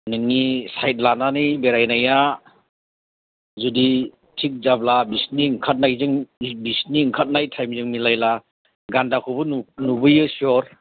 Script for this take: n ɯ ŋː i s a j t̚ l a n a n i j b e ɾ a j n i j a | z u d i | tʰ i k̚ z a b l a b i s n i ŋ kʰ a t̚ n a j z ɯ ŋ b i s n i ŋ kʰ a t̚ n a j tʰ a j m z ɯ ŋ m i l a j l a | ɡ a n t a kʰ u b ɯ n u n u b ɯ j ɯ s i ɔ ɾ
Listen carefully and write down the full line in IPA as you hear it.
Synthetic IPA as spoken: n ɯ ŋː i s a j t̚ l a n a n i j b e ɾ a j n a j a | z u d i | tʰ i k̚ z a b l a b i s n i ŋ kʰ a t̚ n a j z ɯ ŋ b i s n i ŋ kʰ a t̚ n a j tʰ a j m z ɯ ŋ m i l a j l a | ɡ a n d a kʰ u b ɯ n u n u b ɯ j ɯ s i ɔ ɾ